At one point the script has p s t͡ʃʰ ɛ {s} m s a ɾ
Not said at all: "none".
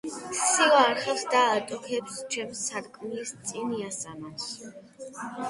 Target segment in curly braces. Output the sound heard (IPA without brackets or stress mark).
none